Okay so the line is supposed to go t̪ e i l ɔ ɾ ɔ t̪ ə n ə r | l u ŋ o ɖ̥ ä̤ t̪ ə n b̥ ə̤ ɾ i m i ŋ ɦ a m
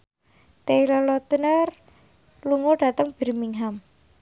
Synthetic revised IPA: t̪ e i l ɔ l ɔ t̪ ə n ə r | l u ŋ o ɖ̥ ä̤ t̪ ə ŋ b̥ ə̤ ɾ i m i ŋ ɦ a m